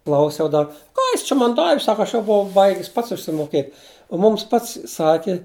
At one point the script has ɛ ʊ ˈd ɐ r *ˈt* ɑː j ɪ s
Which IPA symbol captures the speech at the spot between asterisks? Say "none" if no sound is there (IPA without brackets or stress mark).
k